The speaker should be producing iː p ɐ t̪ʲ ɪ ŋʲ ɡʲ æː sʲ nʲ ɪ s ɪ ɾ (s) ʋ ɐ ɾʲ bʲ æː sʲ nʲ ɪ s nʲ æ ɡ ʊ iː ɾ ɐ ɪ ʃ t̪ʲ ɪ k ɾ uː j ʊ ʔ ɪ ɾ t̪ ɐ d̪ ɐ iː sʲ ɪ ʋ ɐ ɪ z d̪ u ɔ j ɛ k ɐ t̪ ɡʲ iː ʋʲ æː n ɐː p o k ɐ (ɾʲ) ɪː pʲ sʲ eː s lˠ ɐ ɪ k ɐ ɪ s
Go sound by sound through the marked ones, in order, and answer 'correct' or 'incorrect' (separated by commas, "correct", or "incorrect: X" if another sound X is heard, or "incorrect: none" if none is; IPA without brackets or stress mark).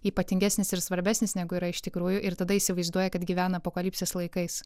correct, incorrect: lʲ